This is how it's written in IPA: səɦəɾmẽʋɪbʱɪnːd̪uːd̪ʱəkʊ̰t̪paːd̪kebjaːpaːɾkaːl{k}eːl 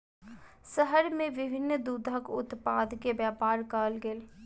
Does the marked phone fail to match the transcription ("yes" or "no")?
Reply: yes